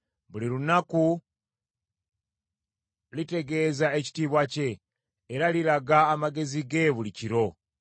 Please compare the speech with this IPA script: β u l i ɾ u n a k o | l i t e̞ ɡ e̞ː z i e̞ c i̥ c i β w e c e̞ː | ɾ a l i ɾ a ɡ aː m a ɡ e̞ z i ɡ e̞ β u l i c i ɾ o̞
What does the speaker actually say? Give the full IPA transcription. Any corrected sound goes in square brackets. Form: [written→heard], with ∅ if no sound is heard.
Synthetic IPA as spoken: β u l i ɾ u n a k [o→u] | l i t e̞ ɡ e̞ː z [i→a] e̞ c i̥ [c→t] i β w [e→a] c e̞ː | ɾ a l i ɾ a ɡ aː m a ɡ e̞ z i ɡ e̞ β u l i c i ɾ o̞